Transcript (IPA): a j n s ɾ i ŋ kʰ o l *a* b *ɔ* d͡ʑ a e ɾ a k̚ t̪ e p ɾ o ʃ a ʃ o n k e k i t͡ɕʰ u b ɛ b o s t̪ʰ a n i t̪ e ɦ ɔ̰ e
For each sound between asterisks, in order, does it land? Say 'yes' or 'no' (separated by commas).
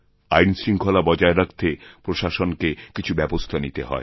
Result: yes, yes